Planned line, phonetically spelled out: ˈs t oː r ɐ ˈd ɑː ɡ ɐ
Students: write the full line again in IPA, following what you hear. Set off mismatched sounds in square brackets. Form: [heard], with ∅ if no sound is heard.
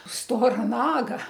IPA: ˈs t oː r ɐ [ˈn] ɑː ɡ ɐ

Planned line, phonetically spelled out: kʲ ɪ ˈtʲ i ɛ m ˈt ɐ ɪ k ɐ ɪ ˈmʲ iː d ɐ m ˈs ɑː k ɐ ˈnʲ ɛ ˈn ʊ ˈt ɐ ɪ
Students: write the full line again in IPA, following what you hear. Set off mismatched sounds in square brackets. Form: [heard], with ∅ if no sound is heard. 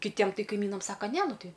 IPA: kʲ ɪ ˈtʲ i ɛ m ˈt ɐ ɪ k ɐ ɪ ˈmʲ iː [n] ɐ m ˈs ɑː k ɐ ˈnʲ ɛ ˈn ʊ ˈt ɐ ɪ

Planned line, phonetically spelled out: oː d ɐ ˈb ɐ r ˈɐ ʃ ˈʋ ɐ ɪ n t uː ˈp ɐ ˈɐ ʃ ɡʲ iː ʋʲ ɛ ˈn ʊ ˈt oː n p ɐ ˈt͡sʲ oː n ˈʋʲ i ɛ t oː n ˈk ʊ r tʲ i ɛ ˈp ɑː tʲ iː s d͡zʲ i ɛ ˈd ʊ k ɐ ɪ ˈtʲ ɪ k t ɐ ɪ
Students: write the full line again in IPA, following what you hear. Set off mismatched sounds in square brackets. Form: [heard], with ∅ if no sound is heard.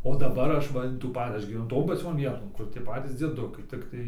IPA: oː d ɐ ˈb ɐ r ˈɐ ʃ ˈʋ ɐ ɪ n t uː ˈp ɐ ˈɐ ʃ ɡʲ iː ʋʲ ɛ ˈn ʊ ˈt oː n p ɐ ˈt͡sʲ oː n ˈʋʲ i ɛ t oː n ˈk ʊ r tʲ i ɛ ˈp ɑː tʲ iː s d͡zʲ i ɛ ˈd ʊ k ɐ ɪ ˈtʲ ɪ k t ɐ ɪ

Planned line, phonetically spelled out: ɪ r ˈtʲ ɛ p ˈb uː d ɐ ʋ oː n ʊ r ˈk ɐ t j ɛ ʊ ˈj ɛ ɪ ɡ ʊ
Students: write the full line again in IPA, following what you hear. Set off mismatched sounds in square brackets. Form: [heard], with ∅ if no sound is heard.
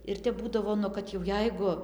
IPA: ɪ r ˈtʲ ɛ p ˈb uː d ɐ ʋ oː n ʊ [∅] ˈk ɐ t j ɛ ʊ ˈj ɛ ɪ ɡ ʊ

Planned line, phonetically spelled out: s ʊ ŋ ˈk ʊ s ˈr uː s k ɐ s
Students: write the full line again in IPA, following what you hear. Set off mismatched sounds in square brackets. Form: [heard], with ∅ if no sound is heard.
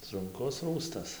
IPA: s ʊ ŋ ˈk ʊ s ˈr uː s [t] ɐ s

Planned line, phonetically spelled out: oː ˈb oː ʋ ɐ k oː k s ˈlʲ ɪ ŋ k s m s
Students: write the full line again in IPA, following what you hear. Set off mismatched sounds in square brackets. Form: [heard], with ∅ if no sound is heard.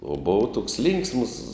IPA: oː ˈb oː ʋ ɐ [t] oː k s ˈlʲ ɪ ŋ k s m s

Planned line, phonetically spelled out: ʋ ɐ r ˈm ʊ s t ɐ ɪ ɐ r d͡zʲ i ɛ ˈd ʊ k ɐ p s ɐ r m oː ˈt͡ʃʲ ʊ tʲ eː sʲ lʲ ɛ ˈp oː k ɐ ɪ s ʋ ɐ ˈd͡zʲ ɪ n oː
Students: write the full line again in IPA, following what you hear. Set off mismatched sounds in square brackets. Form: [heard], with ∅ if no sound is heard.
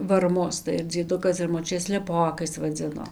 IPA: ʋ ɐ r ˈm ʊ s t ɐ ɪ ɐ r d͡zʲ i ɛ ˈd ʊ k ɐ [∅] s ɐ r m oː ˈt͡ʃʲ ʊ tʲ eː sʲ lʲ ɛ ˈp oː k ɐ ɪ s ʋ ɐ ˈd͡zʲ ɪ n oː

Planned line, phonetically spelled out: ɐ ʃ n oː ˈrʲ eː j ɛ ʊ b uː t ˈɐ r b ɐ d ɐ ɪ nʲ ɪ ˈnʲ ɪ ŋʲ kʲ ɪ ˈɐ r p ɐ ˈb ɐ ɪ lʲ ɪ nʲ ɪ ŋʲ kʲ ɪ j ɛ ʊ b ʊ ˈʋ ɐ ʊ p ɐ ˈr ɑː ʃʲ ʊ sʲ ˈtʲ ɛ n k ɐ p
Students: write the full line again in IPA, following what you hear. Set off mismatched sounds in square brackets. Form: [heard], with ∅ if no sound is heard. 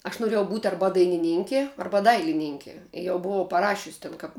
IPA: ɐ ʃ n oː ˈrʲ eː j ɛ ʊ b uː t ˈɐ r b ɐ d ɐ ɪ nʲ ɪ ˈnʲ ɪ ŋʲ kʲ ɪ ˈɐ r [b] ɐ [ˈd] ɐ ɪ lʲ ɪ nʲ ɪ ŋʲ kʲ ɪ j ɛ ʊ b ʊ ˈʋ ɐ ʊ p ɐ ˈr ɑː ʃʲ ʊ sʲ ˈtʲ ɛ n k ɐ p

